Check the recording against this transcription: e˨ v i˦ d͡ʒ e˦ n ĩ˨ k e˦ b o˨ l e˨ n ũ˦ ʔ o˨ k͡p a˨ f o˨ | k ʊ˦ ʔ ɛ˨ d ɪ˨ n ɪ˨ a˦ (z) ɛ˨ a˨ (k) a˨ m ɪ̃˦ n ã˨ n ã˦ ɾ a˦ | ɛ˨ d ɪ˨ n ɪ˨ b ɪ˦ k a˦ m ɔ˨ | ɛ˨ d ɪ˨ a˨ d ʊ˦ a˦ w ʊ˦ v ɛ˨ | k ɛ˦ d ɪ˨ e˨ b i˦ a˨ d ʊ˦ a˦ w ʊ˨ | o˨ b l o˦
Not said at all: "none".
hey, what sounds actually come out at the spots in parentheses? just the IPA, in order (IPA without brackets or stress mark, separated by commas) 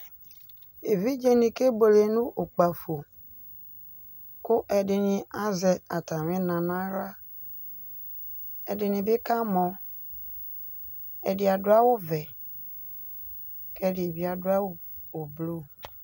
z, t